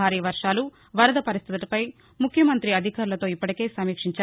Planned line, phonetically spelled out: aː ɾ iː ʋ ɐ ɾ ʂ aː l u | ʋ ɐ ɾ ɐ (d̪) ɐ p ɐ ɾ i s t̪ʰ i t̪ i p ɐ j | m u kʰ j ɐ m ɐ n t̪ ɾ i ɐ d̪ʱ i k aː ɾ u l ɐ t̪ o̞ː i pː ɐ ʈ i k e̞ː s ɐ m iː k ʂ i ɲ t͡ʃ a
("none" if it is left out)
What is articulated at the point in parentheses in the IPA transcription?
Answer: d̪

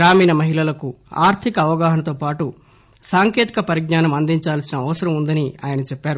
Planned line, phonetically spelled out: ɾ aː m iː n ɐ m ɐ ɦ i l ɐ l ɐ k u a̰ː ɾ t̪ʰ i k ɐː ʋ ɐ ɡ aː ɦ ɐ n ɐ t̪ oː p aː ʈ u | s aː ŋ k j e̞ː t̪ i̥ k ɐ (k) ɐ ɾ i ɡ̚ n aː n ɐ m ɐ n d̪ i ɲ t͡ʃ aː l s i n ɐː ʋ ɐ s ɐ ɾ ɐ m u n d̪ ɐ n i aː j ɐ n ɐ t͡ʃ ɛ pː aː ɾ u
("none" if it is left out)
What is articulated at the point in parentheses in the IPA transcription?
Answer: p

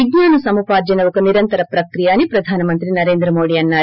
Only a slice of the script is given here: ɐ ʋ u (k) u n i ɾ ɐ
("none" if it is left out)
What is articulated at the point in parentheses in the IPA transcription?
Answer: k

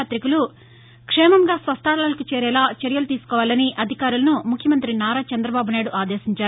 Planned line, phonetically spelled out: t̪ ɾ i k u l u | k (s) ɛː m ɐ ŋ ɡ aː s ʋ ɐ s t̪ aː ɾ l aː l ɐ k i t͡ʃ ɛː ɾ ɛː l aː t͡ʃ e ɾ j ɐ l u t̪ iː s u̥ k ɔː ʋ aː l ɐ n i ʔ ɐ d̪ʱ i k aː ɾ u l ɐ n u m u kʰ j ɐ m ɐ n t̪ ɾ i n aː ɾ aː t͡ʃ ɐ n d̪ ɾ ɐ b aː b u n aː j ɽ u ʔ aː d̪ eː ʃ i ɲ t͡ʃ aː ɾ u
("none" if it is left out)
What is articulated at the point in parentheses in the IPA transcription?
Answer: ʂ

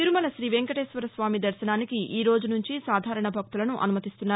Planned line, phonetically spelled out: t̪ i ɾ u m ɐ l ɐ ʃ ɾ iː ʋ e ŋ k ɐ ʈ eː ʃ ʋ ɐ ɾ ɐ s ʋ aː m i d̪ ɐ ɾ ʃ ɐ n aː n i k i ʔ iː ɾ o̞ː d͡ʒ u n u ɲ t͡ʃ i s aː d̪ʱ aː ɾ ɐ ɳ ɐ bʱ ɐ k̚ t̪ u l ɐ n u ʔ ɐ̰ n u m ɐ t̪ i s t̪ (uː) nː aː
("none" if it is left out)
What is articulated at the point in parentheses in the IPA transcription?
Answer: u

